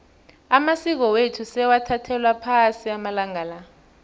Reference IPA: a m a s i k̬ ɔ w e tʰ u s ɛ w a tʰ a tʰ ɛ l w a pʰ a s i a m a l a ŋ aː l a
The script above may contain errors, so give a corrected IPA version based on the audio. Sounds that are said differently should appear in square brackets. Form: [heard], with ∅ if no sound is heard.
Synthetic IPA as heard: a m a s i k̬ ɔ w e tʰ u s ɛ w a tʰ a tʰ ɛ l w a pʰ a s i a m a l a ŋ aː l a